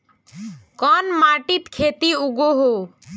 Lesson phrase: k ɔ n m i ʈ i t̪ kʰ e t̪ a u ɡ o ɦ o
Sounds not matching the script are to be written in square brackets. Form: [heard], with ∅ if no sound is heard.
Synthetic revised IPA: k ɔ n m [a] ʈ i t̪ kʰ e t̪ [i] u ɡ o ɦ o